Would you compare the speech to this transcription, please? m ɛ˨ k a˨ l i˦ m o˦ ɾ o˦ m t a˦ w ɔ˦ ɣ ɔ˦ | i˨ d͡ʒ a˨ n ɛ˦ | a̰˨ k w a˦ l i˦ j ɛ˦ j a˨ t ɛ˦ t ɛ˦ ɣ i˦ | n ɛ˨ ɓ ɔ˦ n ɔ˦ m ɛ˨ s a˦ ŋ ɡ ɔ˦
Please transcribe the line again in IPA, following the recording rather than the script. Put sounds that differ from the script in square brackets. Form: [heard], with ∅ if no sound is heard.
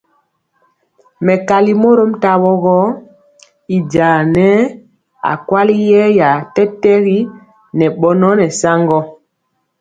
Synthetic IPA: m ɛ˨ k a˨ l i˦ m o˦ ɾ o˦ m t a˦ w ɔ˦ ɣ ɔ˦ | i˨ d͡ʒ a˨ n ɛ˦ | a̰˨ k w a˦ l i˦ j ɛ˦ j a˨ t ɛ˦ t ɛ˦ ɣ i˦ | n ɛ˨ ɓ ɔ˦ n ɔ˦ [n] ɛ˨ s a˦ ŋ ɡ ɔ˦